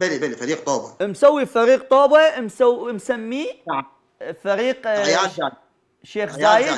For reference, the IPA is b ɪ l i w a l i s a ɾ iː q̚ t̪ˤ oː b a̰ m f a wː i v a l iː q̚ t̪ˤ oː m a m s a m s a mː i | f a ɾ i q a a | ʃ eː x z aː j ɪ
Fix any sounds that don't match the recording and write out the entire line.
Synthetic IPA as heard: b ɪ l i b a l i f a ɾ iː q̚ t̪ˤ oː b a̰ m s a wː i f a ɾ iː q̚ t̪ˤ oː b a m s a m s a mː i | f a ɾ iː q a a | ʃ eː x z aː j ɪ